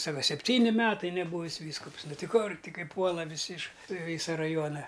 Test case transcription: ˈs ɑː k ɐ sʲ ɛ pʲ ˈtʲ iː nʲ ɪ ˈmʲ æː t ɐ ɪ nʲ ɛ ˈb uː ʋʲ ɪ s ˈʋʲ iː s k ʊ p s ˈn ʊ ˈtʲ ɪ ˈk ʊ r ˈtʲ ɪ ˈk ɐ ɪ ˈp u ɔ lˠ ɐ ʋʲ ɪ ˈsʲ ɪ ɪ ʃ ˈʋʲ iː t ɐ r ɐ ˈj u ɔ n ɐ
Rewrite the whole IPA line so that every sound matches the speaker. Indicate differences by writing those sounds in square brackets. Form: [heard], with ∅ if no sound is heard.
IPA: ˈs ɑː k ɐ sʲ ɛ pʲ ˈtʲ iː nʲ ɪ ˈmʲ æː t ɐ ɪ nʲ ɛ ˈb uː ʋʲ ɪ s ˈʋʲ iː s k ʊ p s ˈn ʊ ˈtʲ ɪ ˈk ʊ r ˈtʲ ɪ ˈk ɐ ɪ ˈp u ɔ lˠ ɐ ʋʲ ɪ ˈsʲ ɪ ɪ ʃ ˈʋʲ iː [s] ɐ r ɐ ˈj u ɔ n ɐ